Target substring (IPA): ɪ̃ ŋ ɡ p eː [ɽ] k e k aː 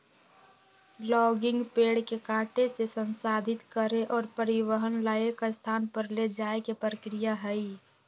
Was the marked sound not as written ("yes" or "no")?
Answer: no